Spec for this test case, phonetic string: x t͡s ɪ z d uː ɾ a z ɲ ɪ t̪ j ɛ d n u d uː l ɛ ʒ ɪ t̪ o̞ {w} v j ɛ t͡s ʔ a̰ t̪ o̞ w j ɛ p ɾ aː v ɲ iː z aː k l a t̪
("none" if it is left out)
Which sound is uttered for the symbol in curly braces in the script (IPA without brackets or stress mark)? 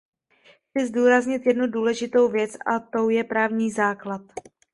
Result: w